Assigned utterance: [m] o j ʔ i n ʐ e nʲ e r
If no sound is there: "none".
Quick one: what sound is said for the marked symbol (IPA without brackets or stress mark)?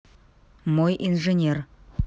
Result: m